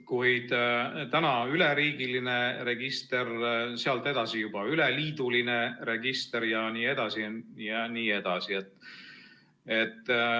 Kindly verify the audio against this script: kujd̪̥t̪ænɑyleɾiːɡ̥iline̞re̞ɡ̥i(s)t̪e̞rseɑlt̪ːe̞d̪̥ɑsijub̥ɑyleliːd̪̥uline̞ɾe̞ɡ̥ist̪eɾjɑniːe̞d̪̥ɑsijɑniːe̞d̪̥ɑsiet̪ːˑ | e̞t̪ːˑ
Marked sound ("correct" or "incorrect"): correct